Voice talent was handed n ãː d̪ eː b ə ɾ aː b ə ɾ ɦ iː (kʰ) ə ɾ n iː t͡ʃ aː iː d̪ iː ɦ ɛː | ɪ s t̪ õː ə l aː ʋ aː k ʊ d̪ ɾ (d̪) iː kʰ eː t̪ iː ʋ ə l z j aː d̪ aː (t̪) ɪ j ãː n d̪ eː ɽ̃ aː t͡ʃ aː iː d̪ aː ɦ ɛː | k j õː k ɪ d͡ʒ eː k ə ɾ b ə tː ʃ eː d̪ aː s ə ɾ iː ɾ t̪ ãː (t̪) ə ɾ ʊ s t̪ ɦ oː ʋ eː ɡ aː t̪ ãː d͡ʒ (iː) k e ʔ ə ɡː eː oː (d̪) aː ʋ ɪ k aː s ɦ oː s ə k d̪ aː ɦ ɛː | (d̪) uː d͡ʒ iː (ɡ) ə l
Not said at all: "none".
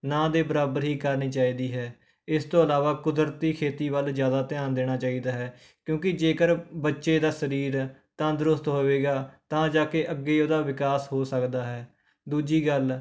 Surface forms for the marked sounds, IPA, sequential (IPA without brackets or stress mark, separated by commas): k, t̪, t̪, d̪, aː, d̪, d̪, ɡ